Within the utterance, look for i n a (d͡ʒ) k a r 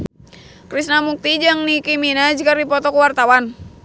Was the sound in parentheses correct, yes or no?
yes